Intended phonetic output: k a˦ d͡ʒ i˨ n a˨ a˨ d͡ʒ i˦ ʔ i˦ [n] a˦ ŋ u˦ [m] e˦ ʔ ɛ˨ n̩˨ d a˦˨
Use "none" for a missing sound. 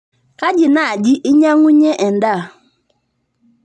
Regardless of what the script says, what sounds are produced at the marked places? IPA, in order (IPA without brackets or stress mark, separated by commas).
ɲ, ɲ